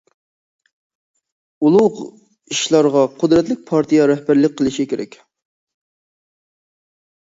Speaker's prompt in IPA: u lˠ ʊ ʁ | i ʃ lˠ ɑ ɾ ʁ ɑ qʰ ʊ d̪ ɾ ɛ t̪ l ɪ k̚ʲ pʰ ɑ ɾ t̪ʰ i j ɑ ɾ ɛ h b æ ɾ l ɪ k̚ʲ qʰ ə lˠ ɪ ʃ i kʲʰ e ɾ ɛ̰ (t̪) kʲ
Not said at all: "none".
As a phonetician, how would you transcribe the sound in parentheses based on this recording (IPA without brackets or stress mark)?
none